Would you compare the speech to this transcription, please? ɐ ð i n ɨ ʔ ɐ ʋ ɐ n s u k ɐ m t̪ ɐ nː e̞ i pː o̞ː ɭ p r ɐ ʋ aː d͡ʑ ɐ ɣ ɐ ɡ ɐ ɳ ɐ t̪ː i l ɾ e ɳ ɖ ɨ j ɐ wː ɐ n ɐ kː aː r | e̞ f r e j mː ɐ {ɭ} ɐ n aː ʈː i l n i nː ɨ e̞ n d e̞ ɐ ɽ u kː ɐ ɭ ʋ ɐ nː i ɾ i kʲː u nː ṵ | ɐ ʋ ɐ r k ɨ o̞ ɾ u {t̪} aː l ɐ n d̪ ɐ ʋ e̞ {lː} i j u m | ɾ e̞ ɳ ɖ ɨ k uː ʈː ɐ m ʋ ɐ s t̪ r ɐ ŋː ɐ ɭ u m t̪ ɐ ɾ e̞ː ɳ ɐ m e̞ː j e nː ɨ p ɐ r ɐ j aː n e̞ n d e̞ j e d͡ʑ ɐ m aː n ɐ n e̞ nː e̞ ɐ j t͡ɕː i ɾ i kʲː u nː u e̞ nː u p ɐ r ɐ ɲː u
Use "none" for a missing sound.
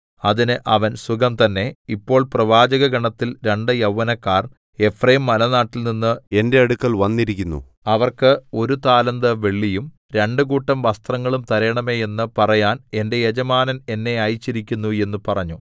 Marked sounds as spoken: l, t̪, ɭː

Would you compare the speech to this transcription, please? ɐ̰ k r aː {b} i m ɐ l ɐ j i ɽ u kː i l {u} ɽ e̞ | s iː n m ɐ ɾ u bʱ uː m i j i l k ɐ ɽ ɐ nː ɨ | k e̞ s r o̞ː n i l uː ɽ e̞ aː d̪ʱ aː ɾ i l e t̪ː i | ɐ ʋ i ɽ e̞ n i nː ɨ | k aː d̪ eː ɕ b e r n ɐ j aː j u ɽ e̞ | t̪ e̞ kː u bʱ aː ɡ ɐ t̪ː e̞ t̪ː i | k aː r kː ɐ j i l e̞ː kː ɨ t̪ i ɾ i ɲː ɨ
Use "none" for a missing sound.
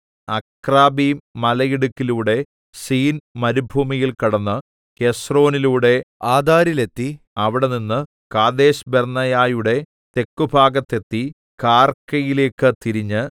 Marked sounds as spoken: b, uː

